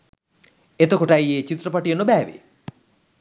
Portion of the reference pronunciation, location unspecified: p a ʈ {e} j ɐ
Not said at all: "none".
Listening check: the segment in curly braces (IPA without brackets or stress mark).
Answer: i